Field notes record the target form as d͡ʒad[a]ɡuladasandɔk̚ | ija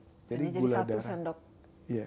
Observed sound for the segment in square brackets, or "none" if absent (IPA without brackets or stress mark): i